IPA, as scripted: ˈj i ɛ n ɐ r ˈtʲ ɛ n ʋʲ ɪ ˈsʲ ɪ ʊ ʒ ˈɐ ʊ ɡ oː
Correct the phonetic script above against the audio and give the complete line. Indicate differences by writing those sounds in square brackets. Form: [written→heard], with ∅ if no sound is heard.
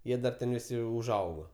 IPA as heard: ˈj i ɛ [n→d] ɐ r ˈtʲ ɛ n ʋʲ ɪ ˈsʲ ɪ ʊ ʒ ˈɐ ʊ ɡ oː